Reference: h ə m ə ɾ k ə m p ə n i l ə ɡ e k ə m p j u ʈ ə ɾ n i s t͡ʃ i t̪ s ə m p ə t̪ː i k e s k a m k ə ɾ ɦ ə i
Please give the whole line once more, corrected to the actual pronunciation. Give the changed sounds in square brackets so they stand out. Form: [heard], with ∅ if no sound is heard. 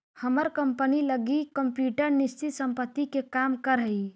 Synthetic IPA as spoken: h ə m ə ɾ k ə m p ə n i l ə ɡ [i] k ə m p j u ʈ ə ɾ n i s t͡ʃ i t̪ s ə m p ə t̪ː i k e [∅] k a m k ə ɾ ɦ ə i